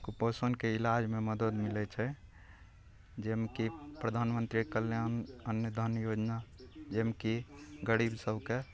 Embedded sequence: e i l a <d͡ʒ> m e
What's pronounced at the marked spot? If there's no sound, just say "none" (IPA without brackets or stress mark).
d͡ʒ